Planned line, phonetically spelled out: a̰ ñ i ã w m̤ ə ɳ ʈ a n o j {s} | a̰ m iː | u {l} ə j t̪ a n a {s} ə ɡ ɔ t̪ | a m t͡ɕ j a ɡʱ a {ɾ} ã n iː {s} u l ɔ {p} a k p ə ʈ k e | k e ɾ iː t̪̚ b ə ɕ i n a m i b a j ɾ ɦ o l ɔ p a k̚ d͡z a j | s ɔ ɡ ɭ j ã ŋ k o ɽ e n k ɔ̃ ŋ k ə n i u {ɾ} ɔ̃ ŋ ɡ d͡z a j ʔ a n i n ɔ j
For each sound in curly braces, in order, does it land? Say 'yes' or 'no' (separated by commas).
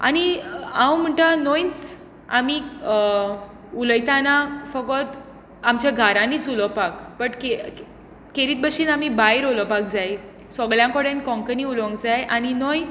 no, yes, no, yes, no, yes, no